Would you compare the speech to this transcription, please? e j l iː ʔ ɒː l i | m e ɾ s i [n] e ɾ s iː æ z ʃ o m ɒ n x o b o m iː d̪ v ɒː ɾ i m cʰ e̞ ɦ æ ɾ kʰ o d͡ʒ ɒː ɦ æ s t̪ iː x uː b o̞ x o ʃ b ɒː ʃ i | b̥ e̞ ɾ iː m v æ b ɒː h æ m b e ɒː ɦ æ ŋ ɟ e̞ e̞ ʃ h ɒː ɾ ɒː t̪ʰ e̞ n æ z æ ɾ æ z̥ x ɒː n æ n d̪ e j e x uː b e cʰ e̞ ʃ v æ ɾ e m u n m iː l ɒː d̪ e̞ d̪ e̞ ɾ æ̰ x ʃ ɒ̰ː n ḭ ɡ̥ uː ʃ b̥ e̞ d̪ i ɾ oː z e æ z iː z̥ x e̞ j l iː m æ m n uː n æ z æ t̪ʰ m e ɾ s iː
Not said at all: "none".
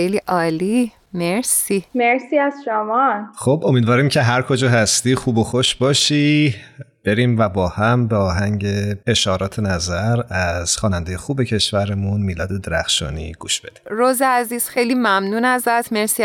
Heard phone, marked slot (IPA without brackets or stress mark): m